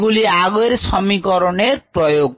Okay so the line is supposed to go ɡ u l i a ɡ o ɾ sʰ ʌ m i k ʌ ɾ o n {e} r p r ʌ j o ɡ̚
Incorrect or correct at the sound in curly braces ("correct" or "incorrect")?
correct